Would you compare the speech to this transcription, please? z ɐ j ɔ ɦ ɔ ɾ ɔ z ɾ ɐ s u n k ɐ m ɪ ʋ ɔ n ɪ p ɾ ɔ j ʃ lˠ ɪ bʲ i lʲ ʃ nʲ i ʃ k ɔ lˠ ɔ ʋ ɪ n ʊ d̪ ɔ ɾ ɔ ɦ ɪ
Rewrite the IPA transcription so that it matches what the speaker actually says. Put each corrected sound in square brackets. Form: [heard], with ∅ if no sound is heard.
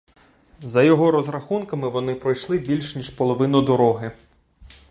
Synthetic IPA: z ɐ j ɔ ɦ ɔ ɾ ɔ z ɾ ɐ [x] u n k ɐ m ɪ ʋ ɔ n ɪ p ɾ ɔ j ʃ lˠ ɪ bʲ i lʲ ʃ nʲ i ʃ [p] ɔ lˠ ɔ ʋ ɪ n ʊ d̪ ɔ ɾ ɔ ɦ ɪ